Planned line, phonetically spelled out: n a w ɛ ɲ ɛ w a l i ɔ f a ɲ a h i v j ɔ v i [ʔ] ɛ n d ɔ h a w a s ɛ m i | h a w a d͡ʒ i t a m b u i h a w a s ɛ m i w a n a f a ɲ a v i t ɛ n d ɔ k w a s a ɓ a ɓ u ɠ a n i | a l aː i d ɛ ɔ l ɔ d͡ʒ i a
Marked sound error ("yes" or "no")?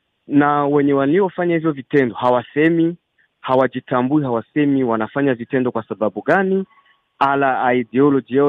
yes